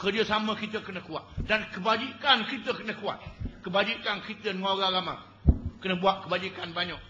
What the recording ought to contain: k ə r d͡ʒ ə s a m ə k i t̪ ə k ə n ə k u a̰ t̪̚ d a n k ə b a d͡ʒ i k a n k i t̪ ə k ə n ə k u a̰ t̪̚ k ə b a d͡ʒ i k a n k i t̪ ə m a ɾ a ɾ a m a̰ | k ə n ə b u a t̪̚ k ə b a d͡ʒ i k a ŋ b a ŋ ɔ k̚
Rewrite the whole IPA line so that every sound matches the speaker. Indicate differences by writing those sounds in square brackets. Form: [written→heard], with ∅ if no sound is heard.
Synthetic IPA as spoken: k ə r d͡ʒ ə s a m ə k i t̪ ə k ə n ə k u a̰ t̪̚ d a n k ə b a d͡ʒ i k a n k i t̪ ə k ə n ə k u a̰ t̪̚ k ə b a d͡ʒ i k a n k i t̪ ə [m→n] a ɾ a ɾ a m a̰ | k ə n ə b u a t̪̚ k ə b a d͡ʒ i k a [ŋ→n] b a [ŋ→ɲ] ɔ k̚